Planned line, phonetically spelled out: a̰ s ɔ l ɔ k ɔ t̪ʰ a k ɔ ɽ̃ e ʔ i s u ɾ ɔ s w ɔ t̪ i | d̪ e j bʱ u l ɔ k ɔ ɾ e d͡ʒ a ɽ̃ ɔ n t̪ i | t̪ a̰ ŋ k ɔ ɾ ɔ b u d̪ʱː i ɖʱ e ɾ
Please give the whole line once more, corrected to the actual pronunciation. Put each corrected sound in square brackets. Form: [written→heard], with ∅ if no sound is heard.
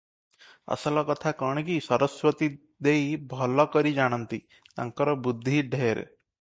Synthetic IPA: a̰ s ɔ l ɔ k ɔ t̪ʰ a k ɔ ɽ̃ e [ʔ→k] i s [u→ɔ] ɾ ɔ s w ɔ t̪ i | d̪ e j bʱ [u→ɔ] l ɔ k ɔ ɾ [e→i] d͡ʒ a ɽ̃ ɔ n t̪ i | t̪ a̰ ŋ k ɔ ɾ ɔ b u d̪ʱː i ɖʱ e ɾ